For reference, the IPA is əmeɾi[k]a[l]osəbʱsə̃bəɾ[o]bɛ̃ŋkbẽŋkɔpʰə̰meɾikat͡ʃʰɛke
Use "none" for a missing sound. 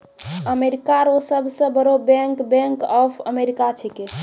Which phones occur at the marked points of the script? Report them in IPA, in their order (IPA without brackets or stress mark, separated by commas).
k, ɾ, o